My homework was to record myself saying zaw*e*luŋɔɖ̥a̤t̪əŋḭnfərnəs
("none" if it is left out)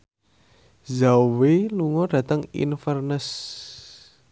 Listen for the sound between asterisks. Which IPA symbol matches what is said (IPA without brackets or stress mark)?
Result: e